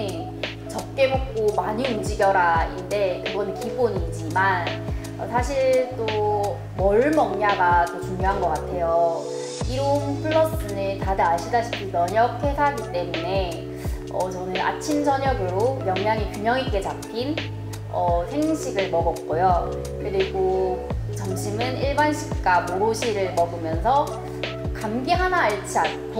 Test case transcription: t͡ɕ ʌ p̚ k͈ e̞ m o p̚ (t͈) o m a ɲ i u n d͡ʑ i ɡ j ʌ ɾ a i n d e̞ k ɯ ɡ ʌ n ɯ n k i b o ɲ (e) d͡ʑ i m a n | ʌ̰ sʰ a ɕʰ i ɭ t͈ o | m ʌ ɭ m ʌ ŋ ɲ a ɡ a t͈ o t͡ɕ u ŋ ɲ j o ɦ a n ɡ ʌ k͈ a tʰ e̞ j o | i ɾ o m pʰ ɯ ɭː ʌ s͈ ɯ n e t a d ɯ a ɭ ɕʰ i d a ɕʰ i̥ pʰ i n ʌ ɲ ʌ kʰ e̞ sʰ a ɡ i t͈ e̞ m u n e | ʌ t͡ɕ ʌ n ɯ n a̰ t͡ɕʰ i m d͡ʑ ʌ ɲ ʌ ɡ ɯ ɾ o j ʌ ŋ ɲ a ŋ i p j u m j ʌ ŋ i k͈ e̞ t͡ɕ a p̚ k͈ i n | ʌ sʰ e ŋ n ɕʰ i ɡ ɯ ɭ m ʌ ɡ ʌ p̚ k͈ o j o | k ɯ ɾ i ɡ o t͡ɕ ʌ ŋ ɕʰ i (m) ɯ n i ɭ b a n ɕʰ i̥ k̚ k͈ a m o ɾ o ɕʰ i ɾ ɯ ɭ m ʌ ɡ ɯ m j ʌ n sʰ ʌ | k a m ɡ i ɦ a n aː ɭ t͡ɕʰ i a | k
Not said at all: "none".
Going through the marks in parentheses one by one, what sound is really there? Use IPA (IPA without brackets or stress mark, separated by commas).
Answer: k͈, i, m